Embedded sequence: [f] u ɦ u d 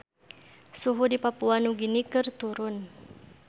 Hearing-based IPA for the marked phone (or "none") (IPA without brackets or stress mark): s